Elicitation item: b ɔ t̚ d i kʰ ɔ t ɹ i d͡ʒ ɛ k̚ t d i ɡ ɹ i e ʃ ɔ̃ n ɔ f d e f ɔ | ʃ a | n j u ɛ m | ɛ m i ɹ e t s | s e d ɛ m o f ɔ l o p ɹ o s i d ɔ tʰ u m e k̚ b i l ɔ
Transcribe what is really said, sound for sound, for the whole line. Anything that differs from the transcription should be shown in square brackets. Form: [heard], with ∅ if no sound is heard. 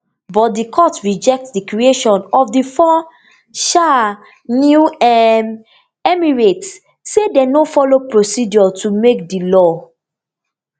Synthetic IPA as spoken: b ɔ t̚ d i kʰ ɔ t ɹ i d͡ʒ ɛ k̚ t d i [k] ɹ i e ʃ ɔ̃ n ɔ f d [i] f ɔ | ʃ a | n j u ɛ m | ɛ m i ɹ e t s | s e d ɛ [n] o f ɔ l o p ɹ o s i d ɔ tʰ u m e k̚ [d] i l ɔ

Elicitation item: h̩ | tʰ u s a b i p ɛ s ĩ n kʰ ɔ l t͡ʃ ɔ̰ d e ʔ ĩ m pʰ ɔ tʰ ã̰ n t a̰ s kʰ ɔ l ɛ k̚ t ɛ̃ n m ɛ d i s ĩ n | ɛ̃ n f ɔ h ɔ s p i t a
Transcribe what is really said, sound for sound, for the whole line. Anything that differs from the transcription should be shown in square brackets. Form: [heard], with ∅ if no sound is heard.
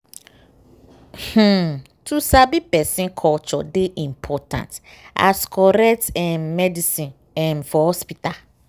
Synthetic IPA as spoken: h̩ | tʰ u s a b i p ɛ s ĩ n kʰ ɔ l t͡ʃ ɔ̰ d e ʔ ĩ m pʰ ɔ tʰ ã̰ n t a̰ s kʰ ɔ [ɾ] ɛ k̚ t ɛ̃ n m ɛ d i s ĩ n | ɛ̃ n f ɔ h ɔ s p i t a

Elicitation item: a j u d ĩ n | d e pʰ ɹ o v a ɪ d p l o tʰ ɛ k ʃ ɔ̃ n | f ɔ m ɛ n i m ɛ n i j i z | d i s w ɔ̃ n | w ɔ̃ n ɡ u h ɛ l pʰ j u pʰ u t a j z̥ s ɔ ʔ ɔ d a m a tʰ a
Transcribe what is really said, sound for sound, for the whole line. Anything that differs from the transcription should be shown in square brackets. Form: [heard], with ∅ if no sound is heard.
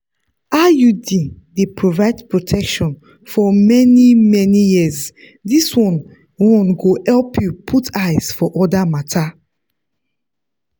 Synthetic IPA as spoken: a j u d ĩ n | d e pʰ ɹ o v a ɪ d p [ɹ] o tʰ ɛ k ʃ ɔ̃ n | f ɔ m ɛ n i m ɛ n i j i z | d i s w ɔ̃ n | w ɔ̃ n ɡ [o] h ɛ l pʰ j u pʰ u t a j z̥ [f] ɔ ʔ ɔ d a m a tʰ a

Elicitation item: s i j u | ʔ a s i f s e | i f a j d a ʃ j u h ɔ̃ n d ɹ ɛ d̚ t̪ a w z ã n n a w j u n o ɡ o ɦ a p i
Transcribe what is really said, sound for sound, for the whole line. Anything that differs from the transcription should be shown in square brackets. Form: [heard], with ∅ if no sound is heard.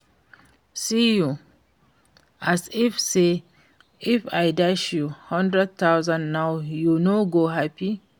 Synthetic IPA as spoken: s i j u | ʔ a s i f s e | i f a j d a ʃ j u h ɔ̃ n d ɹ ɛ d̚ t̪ a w z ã n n a w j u n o ɡ o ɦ a p i

